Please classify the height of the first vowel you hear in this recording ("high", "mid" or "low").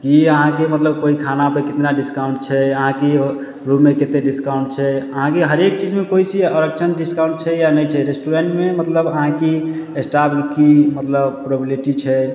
high